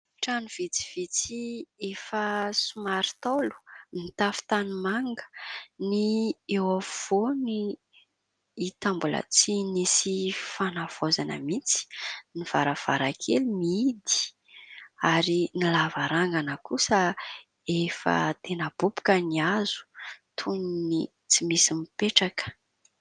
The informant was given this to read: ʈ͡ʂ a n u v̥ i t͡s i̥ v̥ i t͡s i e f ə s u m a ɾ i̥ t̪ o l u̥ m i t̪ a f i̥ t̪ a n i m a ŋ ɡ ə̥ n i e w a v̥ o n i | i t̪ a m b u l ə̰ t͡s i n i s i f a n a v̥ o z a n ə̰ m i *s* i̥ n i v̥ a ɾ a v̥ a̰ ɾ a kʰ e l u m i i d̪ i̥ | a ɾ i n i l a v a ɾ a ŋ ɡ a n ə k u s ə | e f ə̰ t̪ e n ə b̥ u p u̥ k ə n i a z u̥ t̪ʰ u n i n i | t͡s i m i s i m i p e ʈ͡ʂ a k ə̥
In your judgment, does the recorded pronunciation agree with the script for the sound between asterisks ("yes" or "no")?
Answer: no